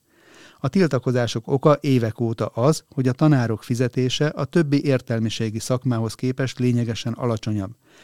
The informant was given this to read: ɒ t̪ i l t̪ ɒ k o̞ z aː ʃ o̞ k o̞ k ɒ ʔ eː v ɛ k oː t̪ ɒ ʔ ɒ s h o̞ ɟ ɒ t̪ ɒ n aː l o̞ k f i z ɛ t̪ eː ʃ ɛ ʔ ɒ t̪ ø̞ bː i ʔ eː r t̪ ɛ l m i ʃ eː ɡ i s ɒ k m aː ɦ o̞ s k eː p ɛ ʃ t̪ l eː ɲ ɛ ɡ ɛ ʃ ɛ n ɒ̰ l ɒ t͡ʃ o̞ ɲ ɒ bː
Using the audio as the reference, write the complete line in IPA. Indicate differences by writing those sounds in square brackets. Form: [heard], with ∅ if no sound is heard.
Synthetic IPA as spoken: ɒ t̪ i l t̪ ɒ k o̞ z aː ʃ o̞ k o̞ k ɒ ʔ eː v ɛ k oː t̪ ɒ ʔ ɒ [z] h o̞ ɟ ɒ t̪ ɒ n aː [ɾ] o̞ k f i z ɛ t̪ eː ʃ ɛ ʔ ɒ t̪ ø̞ bː i ʔ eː r t̪ ɛ l m i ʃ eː ɡ i s ɒ k m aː ɦ o̞ s k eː p ɛ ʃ t̪ l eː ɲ ɛ ɡ ɛ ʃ ɛ n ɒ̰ l ɒ t͡ʃ o̞ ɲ ɒ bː